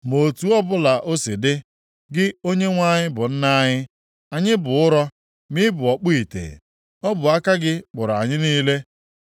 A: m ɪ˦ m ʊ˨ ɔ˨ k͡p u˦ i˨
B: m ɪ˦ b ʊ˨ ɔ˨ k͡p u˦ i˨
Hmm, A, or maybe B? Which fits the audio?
B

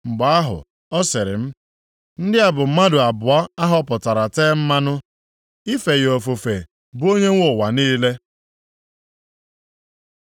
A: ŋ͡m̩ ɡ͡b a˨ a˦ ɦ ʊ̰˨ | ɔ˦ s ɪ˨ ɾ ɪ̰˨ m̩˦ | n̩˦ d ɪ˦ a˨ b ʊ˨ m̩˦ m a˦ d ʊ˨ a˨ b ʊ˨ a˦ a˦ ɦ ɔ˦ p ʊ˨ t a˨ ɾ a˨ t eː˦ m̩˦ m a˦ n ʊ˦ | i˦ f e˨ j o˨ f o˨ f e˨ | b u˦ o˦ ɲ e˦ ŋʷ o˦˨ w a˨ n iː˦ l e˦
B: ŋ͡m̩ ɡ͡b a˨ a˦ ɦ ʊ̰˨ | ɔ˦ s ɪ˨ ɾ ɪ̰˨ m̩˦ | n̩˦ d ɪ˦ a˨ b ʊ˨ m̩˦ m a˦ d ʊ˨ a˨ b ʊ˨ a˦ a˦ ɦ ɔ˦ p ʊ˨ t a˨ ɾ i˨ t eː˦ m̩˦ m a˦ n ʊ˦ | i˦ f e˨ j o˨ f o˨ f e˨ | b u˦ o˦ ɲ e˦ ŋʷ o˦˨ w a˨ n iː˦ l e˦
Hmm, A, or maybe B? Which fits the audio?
A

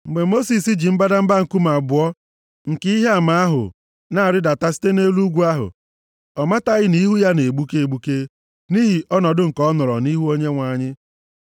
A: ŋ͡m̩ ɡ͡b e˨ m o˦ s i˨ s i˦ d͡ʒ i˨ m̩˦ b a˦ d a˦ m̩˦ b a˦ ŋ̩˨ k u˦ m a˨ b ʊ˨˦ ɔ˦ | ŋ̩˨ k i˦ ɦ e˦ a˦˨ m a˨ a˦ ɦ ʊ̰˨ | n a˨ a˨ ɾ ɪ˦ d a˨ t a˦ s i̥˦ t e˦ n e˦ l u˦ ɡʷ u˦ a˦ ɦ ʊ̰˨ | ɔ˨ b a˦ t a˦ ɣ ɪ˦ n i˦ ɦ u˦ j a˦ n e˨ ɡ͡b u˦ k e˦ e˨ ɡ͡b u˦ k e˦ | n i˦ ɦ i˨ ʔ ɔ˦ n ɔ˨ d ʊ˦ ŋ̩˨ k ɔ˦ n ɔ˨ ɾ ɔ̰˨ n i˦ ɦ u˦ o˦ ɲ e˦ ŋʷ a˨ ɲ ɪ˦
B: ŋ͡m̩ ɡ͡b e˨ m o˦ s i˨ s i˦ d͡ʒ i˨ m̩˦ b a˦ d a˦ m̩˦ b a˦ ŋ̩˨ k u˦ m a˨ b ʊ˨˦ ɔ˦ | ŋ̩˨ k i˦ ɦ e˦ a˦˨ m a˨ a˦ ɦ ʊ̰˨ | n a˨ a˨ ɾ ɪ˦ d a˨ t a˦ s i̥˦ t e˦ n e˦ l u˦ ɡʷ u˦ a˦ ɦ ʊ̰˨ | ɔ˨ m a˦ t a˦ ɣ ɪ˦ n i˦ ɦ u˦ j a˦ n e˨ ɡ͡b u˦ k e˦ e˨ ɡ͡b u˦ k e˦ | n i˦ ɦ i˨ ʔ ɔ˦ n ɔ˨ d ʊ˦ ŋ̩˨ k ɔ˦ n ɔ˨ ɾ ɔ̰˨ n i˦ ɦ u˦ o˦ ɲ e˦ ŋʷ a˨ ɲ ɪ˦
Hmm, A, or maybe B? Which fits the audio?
B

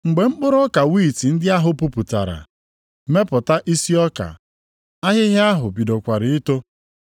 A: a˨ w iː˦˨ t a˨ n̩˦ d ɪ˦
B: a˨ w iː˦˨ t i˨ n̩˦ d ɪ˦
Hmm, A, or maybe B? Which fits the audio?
B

